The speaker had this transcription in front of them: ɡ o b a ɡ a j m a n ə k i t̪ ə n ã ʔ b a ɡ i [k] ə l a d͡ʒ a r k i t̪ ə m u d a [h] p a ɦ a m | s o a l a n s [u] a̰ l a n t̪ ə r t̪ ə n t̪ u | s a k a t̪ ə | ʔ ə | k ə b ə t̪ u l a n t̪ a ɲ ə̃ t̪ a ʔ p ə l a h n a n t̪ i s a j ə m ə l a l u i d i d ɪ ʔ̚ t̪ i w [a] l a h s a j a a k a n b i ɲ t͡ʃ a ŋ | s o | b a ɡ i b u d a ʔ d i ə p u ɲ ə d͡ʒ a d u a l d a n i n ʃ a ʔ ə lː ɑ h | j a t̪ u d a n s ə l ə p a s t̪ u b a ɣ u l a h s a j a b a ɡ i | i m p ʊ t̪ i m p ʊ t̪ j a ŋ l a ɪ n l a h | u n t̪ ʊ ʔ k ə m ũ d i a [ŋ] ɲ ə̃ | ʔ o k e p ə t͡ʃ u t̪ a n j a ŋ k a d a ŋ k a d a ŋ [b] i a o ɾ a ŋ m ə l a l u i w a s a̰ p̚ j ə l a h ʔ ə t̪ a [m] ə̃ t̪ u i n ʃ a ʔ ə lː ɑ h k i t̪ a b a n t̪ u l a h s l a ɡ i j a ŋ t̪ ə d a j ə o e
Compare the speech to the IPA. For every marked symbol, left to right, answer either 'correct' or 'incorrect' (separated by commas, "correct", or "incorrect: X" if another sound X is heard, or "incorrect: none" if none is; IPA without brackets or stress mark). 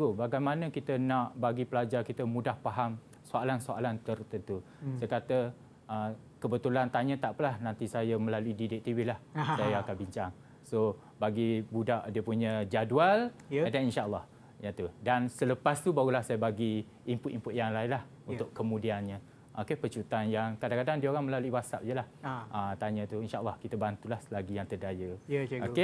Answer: incorrect: p, correct, incorrect: o, incorrect: i, incorrect: n, incorrect: d, incorrect: ɲ